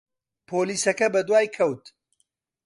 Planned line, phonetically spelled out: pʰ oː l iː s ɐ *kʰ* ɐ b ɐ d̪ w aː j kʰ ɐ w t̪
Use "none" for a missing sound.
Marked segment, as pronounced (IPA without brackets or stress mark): k